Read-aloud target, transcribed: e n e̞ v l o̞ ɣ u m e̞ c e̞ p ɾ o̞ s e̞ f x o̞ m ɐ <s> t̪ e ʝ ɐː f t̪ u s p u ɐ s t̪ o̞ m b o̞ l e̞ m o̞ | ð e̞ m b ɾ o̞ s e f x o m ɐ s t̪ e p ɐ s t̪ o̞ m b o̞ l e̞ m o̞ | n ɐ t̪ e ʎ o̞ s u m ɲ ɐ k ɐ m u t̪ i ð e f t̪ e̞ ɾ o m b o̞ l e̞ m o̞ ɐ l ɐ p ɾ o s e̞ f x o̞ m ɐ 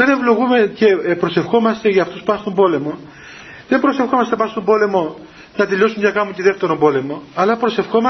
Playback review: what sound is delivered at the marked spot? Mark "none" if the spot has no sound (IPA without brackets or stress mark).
s